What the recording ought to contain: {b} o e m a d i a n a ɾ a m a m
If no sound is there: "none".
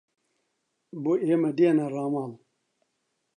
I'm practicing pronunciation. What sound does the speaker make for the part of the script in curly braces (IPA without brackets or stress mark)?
b